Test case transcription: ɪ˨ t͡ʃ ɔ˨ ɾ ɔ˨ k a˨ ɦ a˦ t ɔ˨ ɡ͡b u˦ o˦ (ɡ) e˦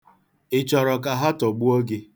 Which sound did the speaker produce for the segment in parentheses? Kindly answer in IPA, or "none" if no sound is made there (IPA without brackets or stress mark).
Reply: ɡ